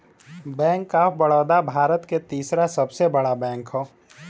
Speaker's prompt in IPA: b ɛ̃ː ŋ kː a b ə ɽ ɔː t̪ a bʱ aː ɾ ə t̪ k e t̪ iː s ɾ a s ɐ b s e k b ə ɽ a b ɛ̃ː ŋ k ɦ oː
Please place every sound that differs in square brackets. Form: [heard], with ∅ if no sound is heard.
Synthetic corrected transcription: b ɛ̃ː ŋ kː a b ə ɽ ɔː [d̪] a bʱ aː ɾ ə t̪ k e t̪ iː s ɾ a s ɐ b s e [∅] b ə ɽ a b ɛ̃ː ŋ k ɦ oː